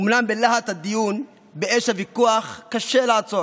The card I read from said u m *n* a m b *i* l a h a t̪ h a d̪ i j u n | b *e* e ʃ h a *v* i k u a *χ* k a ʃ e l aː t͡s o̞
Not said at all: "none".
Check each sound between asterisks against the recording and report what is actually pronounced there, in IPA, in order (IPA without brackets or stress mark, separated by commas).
n, e, e, v, χ